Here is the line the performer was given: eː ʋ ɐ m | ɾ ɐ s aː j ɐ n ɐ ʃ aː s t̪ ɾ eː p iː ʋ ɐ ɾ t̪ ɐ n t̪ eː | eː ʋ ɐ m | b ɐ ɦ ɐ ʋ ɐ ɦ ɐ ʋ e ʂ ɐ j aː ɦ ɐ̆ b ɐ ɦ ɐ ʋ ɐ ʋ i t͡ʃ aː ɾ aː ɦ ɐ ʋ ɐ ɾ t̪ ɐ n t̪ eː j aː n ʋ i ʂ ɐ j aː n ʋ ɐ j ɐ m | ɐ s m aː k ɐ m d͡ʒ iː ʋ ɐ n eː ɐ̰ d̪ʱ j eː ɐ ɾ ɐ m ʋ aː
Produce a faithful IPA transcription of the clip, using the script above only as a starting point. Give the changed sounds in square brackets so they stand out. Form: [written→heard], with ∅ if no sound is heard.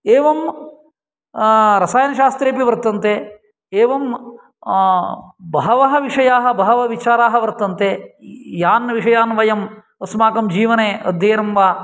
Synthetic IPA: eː ʋ ɐ m | ɾ ɐ s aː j ɐ n ɐ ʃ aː s t̪ ɾ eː p [iː→i] ʋ ɐ ɾ t̪ ɐ n t̪ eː | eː ʋ ɐ m | b ɐ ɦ ɐ ʋ ɐ ɦ ɐ ʋ [e→i] ʂ ɐ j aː ɦ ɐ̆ b ɐ ɦ ɐ ʋ ɐ ʋ i t͡ʃ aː ɾ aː ɦ ɐ ʋ ɐ ɾ t̪ ɐ n t̪ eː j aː n ʋ i ʂ ɐ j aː n ʋ ɐ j ɐ m | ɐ s m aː k ɐ m d͡ʒ iː ʋ ɐ n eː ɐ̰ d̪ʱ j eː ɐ ɾ ɐ m ʋ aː